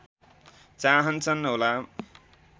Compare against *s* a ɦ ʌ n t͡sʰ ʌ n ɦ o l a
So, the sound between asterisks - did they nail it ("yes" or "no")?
no